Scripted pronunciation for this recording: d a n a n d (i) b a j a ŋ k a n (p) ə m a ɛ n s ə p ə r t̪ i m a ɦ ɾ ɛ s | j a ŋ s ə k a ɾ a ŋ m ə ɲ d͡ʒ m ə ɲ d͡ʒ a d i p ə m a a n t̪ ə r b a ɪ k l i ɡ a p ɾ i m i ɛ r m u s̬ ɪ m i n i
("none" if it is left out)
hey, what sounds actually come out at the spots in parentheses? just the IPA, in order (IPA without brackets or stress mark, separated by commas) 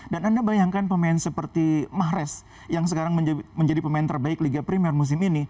a, p